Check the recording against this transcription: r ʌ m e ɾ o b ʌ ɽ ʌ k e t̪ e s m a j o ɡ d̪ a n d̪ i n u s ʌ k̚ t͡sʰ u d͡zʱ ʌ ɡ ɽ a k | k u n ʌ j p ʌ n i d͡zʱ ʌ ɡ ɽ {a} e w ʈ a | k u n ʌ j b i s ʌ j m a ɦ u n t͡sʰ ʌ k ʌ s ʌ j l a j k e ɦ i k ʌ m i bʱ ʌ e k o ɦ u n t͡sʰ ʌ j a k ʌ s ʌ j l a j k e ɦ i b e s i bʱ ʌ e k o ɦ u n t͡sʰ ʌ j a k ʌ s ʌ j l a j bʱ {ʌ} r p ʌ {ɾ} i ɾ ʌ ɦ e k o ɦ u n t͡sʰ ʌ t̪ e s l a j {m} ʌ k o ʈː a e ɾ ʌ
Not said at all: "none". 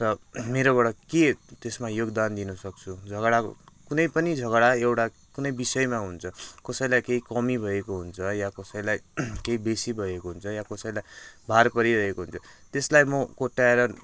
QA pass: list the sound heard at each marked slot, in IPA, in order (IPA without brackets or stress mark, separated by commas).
a, a, ɾ, m